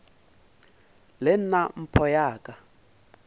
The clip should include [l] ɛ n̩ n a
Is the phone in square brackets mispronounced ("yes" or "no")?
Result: no